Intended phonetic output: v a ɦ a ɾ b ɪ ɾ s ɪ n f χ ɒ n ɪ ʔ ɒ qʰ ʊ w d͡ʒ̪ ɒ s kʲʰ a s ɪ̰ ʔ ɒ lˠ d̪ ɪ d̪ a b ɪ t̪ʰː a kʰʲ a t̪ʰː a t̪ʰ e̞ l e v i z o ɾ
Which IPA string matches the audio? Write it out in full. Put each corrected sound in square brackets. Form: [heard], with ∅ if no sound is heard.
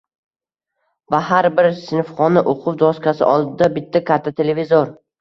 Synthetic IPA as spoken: v a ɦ a ɾ b ɪ ɾ s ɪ n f χ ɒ n ɪ ʔ [o] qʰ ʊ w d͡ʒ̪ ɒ s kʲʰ a s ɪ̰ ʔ ɒ lˠ d̪ ɪ d̪ a b ɪ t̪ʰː a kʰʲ a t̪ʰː a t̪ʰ e̞ l e v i z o ɾ